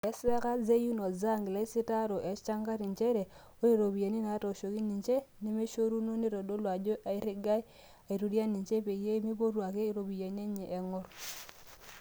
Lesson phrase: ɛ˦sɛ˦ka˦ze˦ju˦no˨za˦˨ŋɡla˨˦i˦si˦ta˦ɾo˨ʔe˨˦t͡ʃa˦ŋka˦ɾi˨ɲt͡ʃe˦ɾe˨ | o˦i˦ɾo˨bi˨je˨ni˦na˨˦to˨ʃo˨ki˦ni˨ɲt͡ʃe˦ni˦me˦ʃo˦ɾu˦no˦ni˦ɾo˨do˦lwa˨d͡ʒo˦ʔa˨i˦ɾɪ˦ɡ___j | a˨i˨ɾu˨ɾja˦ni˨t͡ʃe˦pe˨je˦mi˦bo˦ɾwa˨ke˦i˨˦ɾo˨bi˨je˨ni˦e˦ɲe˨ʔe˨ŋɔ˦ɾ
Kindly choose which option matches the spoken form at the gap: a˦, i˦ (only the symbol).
a˦